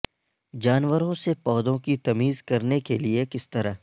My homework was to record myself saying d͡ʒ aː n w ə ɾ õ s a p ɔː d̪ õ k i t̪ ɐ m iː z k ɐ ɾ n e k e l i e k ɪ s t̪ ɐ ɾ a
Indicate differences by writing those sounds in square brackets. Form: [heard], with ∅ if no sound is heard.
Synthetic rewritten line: d͡ʒ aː n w ə ɾ õ s [e] p ɔː d̪ õ k i t̪ ɐ m iː z k ɐ ɾ n e k e l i e k ɪ s t̪ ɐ ɾ a